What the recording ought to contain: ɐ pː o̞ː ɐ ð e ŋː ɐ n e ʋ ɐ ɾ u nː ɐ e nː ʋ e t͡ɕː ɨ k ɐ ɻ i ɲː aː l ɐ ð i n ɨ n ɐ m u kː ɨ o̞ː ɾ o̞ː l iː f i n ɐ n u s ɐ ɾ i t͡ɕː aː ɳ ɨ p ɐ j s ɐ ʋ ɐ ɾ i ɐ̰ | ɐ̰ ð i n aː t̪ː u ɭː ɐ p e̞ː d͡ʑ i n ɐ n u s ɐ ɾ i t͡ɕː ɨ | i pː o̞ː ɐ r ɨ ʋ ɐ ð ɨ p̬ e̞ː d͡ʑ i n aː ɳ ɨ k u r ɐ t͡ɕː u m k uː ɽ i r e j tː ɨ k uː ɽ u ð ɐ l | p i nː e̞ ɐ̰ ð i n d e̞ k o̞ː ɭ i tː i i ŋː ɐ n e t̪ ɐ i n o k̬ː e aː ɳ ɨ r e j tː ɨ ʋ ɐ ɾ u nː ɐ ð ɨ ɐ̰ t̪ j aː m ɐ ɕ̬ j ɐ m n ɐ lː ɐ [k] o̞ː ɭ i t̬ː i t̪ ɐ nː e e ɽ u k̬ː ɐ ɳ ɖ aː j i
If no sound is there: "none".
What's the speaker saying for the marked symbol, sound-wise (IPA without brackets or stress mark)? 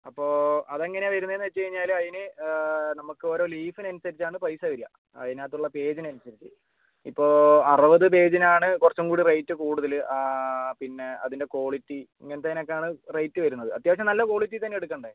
k